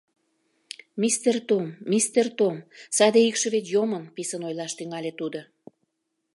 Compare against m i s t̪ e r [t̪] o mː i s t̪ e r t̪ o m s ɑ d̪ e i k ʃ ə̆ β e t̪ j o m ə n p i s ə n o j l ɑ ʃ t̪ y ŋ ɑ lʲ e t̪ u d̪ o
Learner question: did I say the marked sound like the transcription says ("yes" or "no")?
yes